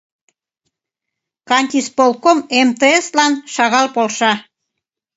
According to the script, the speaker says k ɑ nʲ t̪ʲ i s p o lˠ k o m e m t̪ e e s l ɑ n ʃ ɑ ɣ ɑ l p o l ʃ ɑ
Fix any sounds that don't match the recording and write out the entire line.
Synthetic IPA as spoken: k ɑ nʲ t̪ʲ i s p o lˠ k o m e m t̪ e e s l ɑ n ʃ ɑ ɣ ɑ l p o l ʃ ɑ